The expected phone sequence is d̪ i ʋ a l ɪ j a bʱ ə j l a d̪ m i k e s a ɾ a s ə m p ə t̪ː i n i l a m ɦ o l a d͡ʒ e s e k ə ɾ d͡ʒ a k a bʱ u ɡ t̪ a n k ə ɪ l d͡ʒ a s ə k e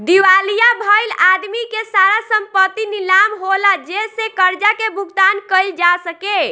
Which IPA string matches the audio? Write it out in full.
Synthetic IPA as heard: d̪ i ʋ a l i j a bʱ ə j l a d̪ m i k e s a ɾ a s ə m p ə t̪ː i n i l a m ɦ o l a d͡ʒ e s e k ə ɾ d͡ʒ a k e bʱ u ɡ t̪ a n k ə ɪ l d͡ʒ a s ə k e